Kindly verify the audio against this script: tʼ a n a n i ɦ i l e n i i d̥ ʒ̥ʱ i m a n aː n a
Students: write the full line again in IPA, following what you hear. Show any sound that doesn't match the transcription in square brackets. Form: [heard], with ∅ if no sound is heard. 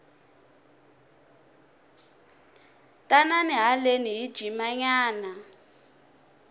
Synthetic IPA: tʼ a n a n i ɦ [a] l e n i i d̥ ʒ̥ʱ i m a [ɲ] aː n a